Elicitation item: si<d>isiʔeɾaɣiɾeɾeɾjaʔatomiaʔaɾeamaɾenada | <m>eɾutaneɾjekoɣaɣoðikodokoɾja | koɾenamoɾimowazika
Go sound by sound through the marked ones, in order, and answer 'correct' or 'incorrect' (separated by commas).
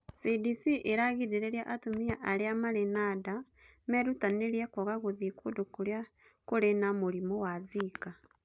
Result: correct, correct